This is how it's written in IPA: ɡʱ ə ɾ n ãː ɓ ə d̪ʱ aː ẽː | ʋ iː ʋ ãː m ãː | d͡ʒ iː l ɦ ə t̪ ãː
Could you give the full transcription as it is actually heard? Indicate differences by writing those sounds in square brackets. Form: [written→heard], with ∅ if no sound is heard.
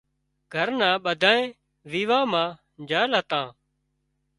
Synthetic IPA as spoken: ɡʱ ə ɾ n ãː ɓ ə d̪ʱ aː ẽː | ʋ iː ʋ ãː m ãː | d͡ʒ [iː→aː] l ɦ ə t̪ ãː